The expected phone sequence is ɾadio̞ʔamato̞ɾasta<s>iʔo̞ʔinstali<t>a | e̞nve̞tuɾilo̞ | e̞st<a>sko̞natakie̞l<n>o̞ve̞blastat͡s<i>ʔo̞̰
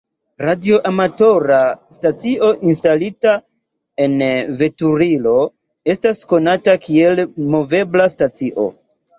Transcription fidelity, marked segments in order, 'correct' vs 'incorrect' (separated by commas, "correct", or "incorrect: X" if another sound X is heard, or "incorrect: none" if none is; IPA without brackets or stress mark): incorrect: t͡s, correct, correct, incorrect: m, correct